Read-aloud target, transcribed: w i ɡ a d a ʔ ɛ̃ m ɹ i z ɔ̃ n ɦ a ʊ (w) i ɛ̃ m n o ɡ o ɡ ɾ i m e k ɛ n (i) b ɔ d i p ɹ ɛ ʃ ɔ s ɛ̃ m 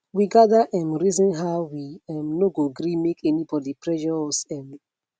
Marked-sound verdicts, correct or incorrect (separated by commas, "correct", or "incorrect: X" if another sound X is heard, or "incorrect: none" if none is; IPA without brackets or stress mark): correct, correct